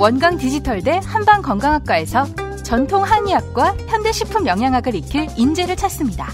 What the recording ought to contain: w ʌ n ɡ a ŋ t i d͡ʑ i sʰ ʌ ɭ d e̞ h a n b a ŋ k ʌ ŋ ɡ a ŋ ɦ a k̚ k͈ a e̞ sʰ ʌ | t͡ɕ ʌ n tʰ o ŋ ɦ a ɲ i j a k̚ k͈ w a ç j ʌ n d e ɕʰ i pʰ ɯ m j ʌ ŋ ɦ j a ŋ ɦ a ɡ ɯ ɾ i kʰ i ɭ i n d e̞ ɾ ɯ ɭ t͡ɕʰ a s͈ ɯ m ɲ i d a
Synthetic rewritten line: w ʌ n ɡ a ŋ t i d͡ʑ i tʰ ʌ ɭ d e̞ h a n b a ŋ k ʌ ŋ ɡ a ŋ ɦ a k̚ k͈ a e̞ sʰ ʌ | t͡ɕ ʌ n tʰ o ŋ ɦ a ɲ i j a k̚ k͈ w a ç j ʌ n d e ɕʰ i pʰ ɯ m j ʌ ŋ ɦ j a ŋ ɦ a ɡ ɯ ɾ i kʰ i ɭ i n d͡ʑ e̞ ɾ ɯ ɭ t͡ɕʰ a s͈ ɯ m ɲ i d a